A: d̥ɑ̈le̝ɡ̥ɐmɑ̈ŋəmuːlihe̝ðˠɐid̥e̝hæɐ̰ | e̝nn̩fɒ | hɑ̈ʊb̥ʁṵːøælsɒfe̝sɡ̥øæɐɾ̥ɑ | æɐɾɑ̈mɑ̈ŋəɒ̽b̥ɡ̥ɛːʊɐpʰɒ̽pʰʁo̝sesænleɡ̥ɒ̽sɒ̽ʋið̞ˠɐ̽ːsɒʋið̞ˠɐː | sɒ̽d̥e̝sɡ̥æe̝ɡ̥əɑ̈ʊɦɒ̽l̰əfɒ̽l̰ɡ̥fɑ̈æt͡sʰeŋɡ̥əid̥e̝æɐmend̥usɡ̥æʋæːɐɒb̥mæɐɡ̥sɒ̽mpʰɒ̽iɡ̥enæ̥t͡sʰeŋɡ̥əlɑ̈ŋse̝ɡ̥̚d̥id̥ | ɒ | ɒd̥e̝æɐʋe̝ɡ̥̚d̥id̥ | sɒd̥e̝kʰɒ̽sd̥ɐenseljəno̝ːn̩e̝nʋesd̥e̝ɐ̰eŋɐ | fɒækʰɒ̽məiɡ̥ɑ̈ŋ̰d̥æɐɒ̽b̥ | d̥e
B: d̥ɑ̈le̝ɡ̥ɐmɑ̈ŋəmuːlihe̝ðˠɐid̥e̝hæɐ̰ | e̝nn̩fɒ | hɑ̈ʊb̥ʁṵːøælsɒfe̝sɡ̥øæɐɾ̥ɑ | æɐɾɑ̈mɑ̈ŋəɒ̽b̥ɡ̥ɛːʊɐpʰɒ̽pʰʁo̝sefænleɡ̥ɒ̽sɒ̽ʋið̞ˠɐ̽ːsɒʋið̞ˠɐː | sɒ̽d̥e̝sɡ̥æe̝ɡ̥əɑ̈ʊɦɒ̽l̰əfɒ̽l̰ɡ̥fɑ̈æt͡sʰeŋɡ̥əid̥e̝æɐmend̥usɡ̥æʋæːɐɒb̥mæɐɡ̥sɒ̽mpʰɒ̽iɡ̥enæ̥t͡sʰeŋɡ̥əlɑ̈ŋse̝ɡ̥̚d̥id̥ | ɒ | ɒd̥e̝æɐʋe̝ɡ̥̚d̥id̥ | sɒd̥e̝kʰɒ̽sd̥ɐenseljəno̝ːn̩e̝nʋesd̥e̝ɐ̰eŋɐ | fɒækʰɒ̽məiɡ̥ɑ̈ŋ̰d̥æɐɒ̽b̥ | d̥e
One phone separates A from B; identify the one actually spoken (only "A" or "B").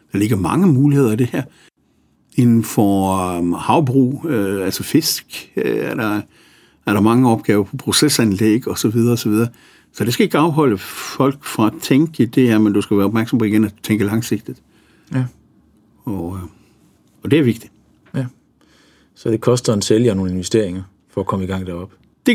A